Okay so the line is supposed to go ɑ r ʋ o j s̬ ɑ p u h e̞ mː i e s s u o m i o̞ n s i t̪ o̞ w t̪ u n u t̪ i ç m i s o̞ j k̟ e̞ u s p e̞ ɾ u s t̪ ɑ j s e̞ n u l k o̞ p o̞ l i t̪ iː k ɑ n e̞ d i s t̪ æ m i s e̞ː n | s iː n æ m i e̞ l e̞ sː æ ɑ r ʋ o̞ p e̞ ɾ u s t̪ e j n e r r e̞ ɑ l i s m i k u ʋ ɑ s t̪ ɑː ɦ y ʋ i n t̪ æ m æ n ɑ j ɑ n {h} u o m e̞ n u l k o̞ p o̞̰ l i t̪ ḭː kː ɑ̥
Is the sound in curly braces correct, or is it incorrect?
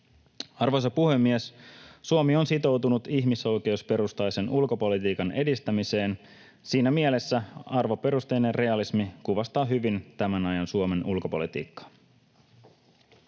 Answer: incorrect